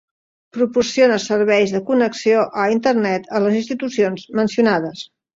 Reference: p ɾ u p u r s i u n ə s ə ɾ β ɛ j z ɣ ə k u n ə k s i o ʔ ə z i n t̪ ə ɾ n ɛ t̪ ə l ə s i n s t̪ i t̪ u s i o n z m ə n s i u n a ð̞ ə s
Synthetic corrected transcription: p ɾ u p u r s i o n ə s ə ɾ β ɛ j z ð ə k u n ə k s i o ʔ ə i n t̪ ə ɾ n ɛ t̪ ə l ə z i n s t̪ i t̪ u s i o n z m ə n s i u n a ð̞ ə s